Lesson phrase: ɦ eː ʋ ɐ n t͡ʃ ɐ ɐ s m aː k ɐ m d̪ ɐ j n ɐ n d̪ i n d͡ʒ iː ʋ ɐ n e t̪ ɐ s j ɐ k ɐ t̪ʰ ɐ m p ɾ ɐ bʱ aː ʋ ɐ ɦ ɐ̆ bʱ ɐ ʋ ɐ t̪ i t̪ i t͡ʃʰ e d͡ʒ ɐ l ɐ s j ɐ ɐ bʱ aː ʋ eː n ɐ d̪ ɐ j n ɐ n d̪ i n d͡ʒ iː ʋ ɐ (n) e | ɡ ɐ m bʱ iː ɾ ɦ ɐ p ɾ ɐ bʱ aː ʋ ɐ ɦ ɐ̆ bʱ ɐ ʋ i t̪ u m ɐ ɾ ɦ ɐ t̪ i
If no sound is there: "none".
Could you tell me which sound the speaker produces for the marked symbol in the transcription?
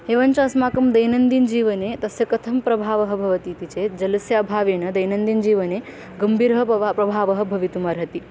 n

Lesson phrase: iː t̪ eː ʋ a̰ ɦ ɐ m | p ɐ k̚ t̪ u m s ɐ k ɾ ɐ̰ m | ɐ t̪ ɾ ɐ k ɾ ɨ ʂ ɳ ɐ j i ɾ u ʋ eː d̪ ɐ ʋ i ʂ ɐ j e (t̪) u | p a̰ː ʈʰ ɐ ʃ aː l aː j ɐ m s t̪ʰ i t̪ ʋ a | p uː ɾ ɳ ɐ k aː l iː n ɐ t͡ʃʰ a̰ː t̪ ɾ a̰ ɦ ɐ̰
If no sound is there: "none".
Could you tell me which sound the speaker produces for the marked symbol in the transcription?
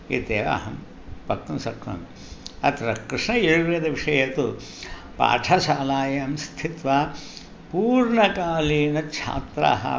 t̪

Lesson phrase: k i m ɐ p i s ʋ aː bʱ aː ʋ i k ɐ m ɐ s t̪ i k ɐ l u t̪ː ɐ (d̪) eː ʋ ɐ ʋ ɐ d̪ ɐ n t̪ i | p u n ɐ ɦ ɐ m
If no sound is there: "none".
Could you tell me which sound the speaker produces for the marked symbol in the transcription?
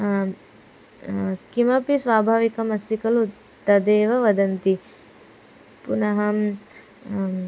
d̪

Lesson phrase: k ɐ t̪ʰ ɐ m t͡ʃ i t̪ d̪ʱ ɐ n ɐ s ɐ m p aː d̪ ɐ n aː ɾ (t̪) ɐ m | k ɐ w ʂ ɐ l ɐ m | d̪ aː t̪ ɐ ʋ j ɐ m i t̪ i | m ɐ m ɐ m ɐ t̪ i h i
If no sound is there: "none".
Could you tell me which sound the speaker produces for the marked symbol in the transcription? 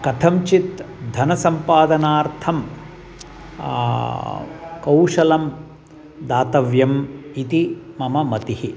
t̪ʰ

